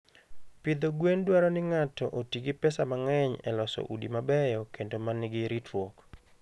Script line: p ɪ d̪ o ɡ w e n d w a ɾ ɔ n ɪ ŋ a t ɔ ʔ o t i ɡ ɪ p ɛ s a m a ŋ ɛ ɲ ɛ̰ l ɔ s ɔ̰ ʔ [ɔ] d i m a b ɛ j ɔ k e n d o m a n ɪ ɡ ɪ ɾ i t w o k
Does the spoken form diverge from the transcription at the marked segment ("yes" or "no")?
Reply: yes